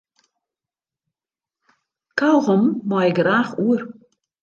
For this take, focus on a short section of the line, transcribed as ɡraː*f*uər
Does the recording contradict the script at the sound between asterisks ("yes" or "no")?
yes